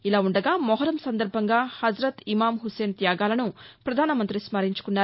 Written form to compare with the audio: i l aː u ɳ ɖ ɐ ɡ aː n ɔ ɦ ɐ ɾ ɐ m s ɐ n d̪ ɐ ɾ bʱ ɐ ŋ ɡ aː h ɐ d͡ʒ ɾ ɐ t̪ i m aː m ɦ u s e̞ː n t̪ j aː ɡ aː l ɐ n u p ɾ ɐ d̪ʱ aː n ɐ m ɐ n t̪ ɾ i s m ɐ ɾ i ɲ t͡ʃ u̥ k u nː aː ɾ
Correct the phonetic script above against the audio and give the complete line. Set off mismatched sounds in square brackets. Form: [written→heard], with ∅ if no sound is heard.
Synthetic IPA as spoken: i l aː u ɳ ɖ ɐ ɡ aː [n→m] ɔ ɦ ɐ ɾ ɐ m s ɐ n d̪ ɐ ɾ bʱ ɐ ŋ ɡ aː h ɐ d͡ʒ ɾ ɐ t̪ i m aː m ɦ u s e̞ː n t̪ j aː ɡ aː l ɐ n u p ɾ ɐ d̪ʱ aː n ɐ m ɐ n t̪ ɾ i s m ɐ ɾ i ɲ t͡ʃ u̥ k u nː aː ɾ